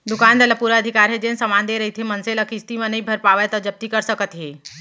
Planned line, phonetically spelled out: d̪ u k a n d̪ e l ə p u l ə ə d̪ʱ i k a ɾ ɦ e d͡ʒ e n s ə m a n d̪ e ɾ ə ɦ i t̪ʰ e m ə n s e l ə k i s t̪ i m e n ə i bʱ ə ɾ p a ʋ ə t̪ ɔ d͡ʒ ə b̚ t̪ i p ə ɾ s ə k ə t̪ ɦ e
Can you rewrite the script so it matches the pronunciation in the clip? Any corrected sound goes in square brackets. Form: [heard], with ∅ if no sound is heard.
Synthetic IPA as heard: d̪ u k a n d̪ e l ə p u [ɾ] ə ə d̪ʱ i k a ɾ ɦ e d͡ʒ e n s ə m a n d̪ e ɾ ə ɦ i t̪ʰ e m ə n s e l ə k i s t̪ i m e n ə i bʱ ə ɾ p a ʋ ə t̪ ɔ d͡ʒ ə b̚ t̪ i [k] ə ɾ s ə k ə t̪ ɦ e

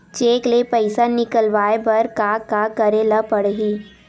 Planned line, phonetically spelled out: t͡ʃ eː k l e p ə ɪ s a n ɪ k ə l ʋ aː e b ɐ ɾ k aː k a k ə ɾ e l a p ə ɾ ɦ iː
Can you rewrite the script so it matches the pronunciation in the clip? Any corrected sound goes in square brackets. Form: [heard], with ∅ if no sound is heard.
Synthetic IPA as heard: t͡ʃ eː k l e p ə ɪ s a n ɪ k ə l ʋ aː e b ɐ ɾ k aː k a k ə ɾ e l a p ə [ɽ] ɦ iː

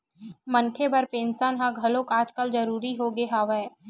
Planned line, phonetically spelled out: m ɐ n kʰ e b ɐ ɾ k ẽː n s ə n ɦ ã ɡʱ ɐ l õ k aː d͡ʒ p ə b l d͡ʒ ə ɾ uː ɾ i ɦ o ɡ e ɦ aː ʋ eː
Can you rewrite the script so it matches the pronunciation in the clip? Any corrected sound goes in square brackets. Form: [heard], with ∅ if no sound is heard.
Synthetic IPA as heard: m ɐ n kʰ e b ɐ ɾ [p] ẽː n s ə n ɦ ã ɡʱ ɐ l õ k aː d͡ʒ [k] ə [∅] l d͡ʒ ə ɾ uː ɾ i ɦ o ɡ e ɦ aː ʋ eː

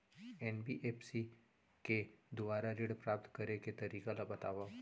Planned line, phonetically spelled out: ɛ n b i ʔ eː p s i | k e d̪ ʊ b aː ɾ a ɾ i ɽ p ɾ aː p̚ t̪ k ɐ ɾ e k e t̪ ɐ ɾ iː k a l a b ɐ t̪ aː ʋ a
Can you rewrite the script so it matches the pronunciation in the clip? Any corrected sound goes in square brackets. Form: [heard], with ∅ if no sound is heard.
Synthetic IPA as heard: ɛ n b i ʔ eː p s i | k e d̪ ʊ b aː ɾ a ɾ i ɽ p ɾ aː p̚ t̪ k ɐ ɾ e k e t̪ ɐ ɾ iː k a l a b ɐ t̪ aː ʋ a

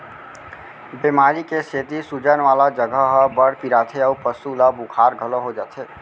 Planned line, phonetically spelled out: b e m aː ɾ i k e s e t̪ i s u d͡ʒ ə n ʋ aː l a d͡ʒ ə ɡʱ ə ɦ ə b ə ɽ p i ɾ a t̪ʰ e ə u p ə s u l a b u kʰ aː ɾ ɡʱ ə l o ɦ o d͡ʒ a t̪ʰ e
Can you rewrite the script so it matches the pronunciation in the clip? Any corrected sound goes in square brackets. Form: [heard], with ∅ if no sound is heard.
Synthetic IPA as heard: b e m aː ɾ i k e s e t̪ i s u d͡ʒ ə n ʋ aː l a d͡ʒ ə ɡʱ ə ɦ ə b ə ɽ p i ɾ a t̪ʰ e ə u p ə s u l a b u kʰ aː ɾ ɡʱ ə l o ɦ o d͡ʒ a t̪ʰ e

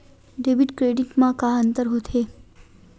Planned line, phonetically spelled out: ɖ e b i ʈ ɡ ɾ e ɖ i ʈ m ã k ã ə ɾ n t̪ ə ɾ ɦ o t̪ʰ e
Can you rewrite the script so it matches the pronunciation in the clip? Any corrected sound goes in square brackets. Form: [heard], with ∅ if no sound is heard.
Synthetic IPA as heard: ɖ e b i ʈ [k] ɾ e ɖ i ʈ m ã k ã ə [∅] n t̪ ə ɾ ɦ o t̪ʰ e

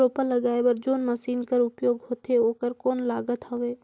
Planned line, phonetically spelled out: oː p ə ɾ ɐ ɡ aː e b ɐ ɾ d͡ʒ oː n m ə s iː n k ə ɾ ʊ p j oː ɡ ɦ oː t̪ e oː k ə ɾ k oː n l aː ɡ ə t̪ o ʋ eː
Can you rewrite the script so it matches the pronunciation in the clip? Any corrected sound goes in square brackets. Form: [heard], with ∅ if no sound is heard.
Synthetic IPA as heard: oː p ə [l] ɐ ɡ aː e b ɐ ɾ d͡ʒ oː n m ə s iː n k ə ɾ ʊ p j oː ɡ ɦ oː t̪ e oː k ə ɾ k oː n l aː ɡ ə t̪ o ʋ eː

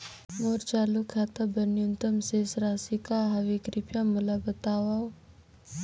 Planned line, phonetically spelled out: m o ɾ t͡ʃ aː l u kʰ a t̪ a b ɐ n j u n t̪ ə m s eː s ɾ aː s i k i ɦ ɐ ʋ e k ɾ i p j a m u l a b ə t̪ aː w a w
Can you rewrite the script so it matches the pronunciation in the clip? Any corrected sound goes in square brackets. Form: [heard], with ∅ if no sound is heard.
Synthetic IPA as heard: m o ɾ t͡ʃ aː l u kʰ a t̪ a b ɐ n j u n t̪ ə m s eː s ɾ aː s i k [a] ɦ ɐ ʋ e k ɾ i p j a m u l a b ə t̪ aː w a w

